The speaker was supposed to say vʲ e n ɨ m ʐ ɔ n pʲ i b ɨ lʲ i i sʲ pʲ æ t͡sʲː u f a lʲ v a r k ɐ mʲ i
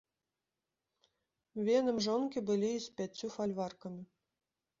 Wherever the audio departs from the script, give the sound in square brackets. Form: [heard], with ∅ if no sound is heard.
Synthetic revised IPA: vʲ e n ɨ m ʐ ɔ n [kʲ] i b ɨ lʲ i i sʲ pʲ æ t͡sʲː u f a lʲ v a r k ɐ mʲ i